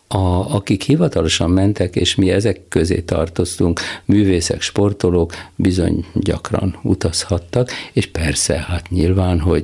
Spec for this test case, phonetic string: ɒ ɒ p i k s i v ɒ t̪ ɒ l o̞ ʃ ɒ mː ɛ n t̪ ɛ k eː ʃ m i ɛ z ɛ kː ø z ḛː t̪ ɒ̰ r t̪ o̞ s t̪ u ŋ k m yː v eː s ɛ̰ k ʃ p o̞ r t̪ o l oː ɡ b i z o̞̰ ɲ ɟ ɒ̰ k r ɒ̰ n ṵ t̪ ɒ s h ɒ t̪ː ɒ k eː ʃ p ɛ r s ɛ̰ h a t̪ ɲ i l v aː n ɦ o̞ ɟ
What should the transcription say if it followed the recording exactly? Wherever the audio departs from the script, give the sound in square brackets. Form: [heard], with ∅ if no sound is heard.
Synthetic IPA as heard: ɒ ɒ [k] i k [h] i v ɒ t̪ ɒ l o̞ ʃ ɒ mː ɛ n t̪ ɛ k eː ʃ m i ɛ z ɛ kː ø z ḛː t̪ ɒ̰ r t̪ o̞ s t̪ u ŋ k m yː v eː s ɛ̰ k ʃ p o̞ r t̪ o l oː [k] b i z o̞̰ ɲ ɟ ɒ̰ k r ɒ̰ n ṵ t̪ ɒ s h ɒ t̪ː ɒ k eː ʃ p ɛ r s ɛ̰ h a t̪ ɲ i l v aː n ɦ o̞ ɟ